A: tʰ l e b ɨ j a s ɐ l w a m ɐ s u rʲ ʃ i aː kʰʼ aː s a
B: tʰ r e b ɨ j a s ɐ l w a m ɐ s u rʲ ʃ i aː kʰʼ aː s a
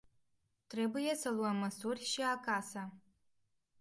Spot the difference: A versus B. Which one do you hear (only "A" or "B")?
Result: B